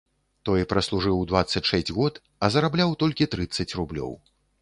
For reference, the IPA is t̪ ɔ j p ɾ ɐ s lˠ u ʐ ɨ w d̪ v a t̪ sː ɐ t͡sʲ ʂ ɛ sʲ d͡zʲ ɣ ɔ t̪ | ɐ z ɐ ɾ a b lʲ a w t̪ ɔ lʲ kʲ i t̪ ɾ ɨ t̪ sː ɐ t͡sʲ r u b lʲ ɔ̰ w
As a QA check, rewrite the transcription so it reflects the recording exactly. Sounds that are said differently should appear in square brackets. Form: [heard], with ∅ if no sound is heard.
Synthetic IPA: t̪ ɔ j p ɾ ɐ s lˠ u ʐ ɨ w d̪ v a t̪ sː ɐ t͡sʲ ʂ ɛ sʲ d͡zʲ ɣ ɔ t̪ | ɐ z ɐ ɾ a b lʲ a w t̪ ɔ lʲ kʲ i t̪ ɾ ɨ t̪ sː ɐ t͡sʲ r u b lʲ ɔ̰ w